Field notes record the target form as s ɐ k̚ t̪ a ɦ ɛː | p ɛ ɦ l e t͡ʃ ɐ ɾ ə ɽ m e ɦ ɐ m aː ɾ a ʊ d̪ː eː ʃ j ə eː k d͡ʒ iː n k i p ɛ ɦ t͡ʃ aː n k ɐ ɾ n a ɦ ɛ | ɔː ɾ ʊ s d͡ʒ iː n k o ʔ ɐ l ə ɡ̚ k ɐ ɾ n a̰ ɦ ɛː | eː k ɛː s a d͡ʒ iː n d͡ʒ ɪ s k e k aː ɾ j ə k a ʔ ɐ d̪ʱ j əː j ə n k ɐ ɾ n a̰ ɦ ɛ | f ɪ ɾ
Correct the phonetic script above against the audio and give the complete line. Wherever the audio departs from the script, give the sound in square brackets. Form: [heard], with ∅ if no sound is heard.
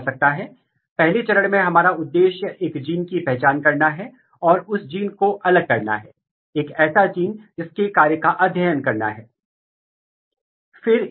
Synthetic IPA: s ɐ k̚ t̪ a ɦ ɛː | p ɛ ɦ l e t͡ʃ ɐ ɾ ə ɽ m [ẽ] ɦ ɐ m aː ɾ a ʊ d̪ː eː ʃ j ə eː k d͡ʒ iː n k i p ɛ ɦ t͡ʃ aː n k ɐ ɾ n a ɦ ɛ | ɔː ɾ ʊ s d͡ʒ iː n k o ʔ ɐ l ə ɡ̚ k ɐ ɾ n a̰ ɦ ɛː | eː k ɛː s a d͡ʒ iː n d͡ʒ ɪ s k e k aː ɾ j ə k a ʔ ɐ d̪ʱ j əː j ə n k ɐ ɾ n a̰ ɦ [ɛː] | f ɪ ɾ

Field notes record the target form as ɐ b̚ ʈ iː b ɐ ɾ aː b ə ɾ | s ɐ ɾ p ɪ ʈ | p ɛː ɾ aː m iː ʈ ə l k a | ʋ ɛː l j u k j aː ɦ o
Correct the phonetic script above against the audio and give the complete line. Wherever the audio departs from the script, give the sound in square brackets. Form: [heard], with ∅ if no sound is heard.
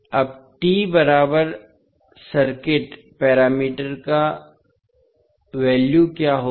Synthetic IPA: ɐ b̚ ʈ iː b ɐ ɾ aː b ə ɾ | s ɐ ɾ [k] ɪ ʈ | p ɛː ɾ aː m iː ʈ ə [ɾ] k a | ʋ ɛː l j u k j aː ɦ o

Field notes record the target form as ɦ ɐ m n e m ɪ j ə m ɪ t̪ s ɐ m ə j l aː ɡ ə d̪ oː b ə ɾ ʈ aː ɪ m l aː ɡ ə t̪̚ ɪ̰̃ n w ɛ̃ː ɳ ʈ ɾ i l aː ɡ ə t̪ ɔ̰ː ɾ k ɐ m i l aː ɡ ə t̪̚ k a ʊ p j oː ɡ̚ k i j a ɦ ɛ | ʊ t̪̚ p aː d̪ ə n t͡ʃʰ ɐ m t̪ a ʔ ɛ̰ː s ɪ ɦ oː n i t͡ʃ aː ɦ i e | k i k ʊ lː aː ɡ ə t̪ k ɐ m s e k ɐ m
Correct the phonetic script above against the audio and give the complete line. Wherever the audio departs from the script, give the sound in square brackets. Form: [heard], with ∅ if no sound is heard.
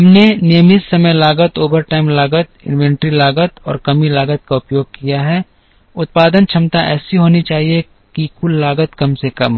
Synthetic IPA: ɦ ɐ m n e [n] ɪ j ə m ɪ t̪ s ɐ m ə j l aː ɡ ə [t̪] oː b ə ɾ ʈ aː ɪ m l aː ɡ ə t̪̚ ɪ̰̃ n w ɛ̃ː ɳ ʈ ɾ i l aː ɡ ə t̪ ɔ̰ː ɾ k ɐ m i l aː ɡ ə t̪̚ k a ʊ p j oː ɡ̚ k i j a ɦ ɛ | ʊ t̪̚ p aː d̪ ə n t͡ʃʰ ɐ m t̪ a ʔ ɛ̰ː s [i] ɦ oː n i t͡ʃ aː ɦ i e | k i k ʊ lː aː ɡ ə t̪ k ɐ m s e k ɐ m

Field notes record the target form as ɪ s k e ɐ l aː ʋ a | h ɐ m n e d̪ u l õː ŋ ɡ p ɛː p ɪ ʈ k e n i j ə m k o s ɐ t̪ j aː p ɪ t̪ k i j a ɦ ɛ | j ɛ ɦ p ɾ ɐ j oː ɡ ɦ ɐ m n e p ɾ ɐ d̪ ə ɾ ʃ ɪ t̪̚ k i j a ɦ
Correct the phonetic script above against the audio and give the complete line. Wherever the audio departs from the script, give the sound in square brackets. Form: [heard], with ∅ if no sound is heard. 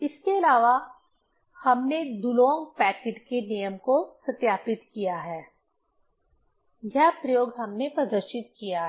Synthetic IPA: ɪ s k e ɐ l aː ʋ a | h ɐ m n e d̪ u l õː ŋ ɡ p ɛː [k] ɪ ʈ k e n i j ə m k o s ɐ t̪ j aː p ɪ t̪ k i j a ɦ [ɛː] | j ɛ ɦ p ɾ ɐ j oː ɡ ɦ ɐ m n e p ɾ ɐ d̪ ə ɾ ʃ ɪ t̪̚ k i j a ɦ

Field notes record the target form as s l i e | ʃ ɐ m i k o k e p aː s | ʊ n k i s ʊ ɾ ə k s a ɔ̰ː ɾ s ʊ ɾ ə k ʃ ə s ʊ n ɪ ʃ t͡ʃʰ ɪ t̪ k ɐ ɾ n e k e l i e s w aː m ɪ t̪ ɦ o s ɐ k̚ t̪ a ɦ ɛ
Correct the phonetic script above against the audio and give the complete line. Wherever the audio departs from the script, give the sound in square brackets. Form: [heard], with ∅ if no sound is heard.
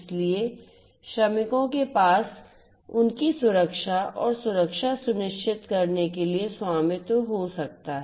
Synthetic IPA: s l i e | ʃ ɐ m [ɪ] k [õ] k e p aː s | ʊ n k i s ʊ ɾ ə k [ʃ] a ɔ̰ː ɾ s ʊ ɾ ə k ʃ [a] s ʊ n ɪ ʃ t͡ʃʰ ɪ t̪ k ɐ ɾ n e k e l i e s w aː m ɪ t̪ ɦ o s ɐ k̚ t̪ a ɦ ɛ

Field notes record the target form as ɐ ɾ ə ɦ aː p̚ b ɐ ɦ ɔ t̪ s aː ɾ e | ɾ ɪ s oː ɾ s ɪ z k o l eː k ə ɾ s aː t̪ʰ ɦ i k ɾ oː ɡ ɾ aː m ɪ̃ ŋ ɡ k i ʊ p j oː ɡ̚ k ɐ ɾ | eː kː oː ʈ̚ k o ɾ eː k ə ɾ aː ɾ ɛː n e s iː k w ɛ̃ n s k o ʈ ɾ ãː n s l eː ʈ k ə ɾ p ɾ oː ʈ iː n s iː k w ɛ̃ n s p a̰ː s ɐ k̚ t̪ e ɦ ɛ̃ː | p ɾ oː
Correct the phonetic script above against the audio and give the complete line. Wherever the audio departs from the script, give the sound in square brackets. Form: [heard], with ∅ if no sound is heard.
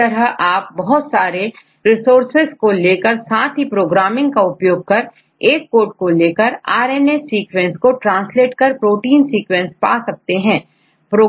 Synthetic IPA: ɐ ɾ ə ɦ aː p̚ b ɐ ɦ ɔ t̪ s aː ɾ e | ɾ ɪ s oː ɾ s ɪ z k o l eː k ə ɾ s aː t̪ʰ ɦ i [p] ɾ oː ɡ ɾ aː m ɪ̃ ŋ ɡ k [a] ʊ p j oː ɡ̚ k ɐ ɾ | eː kː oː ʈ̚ k o [l] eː k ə ɾ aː ɾ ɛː n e s iː k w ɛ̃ n s k o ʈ ɾ ãː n s l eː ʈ k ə ɾ p ɾ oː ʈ iː n s iː k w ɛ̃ n s p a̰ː s ɐ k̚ t̪ e ɦ ɛ̃ː | p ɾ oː

